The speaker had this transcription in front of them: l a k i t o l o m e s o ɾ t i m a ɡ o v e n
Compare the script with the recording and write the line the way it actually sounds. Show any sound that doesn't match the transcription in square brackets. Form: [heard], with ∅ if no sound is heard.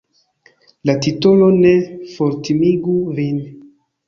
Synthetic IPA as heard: l a [t] i t o l o [n] e [f] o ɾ t i m [i] ɡ [u] v [i] n